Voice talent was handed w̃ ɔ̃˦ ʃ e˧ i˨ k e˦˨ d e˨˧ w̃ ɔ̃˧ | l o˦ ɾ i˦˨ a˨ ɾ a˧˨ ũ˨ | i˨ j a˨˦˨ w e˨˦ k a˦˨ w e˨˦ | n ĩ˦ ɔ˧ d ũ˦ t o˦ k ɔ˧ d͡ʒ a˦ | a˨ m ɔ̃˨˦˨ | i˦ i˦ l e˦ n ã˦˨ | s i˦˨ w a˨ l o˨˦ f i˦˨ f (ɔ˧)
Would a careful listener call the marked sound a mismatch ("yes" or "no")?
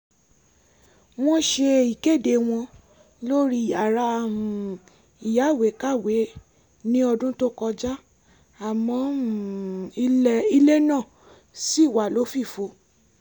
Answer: yes